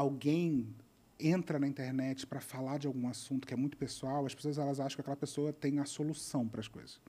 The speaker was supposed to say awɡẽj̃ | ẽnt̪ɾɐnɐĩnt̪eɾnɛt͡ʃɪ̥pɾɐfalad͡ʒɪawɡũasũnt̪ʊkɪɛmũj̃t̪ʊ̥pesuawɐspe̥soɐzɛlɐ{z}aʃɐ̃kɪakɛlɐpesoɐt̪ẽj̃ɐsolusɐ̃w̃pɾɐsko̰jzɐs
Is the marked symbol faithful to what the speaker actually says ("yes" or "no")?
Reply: yes